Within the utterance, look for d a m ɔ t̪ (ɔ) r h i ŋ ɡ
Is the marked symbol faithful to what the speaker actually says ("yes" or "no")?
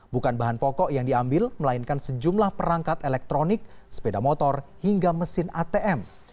yes